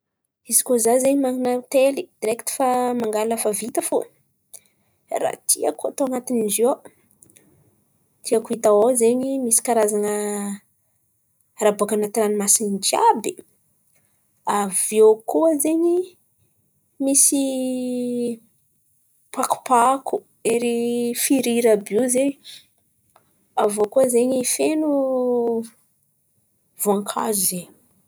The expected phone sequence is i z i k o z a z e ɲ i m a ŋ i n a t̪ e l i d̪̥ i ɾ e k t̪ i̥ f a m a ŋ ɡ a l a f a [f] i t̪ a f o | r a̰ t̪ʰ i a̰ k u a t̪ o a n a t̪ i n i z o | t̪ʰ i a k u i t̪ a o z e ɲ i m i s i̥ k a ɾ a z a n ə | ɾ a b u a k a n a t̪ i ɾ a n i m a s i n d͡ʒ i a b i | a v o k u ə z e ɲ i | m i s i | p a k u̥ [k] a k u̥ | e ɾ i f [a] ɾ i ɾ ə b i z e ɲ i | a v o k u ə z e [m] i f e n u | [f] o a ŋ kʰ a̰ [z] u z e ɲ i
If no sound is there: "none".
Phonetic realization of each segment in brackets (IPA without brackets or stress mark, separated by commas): v, p, i, ɲ, v, z